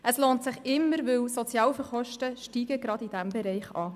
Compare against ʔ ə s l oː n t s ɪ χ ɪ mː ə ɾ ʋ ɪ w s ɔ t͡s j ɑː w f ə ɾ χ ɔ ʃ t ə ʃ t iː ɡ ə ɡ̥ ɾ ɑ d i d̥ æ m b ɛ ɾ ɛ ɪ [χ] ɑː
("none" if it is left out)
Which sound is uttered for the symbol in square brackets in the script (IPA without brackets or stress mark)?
χ